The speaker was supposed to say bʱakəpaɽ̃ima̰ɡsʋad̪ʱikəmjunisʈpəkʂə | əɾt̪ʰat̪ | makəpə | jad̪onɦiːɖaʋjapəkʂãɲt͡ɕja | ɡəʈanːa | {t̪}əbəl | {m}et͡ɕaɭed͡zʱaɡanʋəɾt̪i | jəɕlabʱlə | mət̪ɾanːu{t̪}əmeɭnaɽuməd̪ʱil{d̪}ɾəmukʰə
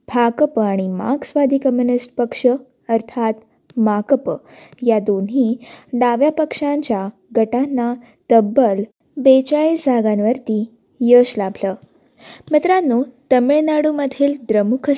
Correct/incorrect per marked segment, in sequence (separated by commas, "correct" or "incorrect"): correct, incorrect, correct, correct